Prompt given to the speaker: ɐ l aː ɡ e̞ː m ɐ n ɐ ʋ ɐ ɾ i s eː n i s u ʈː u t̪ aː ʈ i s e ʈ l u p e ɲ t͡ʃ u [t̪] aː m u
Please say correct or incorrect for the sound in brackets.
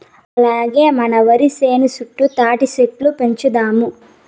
incorrect